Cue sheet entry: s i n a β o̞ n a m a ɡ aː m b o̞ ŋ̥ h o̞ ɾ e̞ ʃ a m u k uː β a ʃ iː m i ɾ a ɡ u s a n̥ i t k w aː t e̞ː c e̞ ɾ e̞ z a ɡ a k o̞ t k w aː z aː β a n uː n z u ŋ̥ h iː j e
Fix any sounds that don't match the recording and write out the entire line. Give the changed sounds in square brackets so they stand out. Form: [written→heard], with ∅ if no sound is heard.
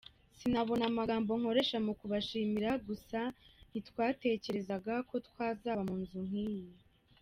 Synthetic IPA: s i n a β o̞ n a m a ɡ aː m b o̞ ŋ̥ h o̞ ɾ e̞ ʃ a m u k [uː→u] β a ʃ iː m i ɾ a ɡ u s a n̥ i t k w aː t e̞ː c e̞ ɾ e̞ z a ɡ a k o̞ t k w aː z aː β a [n→m] uː n z u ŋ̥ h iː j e